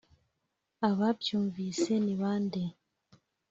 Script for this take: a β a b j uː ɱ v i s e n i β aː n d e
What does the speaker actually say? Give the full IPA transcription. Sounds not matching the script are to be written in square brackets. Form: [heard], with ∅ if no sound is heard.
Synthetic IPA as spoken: a β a b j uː ɱ v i s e n i β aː n d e